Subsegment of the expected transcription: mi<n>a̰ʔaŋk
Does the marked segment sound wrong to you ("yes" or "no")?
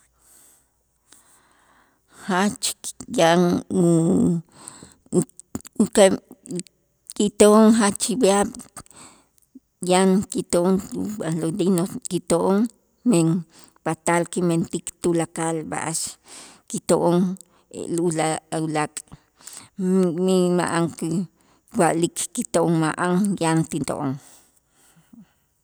yes